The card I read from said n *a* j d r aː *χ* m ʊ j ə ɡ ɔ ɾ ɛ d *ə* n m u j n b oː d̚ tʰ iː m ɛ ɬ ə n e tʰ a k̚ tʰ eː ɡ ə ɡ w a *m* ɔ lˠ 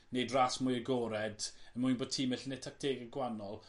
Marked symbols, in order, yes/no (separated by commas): no, no, yes, no